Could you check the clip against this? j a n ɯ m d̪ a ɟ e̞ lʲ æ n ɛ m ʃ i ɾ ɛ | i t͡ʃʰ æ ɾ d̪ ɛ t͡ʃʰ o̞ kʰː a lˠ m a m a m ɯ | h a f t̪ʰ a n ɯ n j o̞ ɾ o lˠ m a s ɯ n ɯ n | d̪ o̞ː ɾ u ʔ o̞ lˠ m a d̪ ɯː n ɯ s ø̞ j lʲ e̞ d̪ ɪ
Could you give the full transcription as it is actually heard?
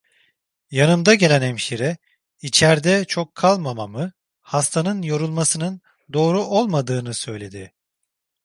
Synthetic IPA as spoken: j a n ɯ m d̪ a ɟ e̞ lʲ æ n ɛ m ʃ i ɾ ɛ | i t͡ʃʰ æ ɾ d̪ ɛ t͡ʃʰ o̞ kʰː a lˠ m a m a m ɯ | h a s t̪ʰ a n ɯ n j o̞ ɾ u lˠ m a s ɯ n ɯ n | d̪ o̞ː ɾ u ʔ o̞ lˠ m a d̪ ɯː n ɯ s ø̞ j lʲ e̞ d̪ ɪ